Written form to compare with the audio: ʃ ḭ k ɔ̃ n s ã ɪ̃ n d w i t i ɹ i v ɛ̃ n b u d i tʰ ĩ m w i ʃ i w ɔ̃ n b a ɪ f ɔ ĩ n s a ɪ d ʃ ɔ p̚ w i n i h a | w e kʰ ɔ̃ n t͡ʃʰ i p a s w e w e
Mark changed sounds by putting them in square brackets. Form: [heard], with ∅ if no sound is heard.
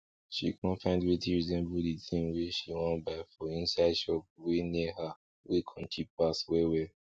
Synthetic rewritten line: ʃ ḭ k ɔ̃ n [f] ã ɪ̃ n d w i t i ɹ i [z] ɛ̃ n b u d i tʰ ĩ m w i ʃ i w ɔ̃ n b a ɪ f ɔ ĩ n s a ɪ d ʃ ɔ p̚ w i n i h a | w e kʰ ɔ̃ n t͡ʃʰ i p a s w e w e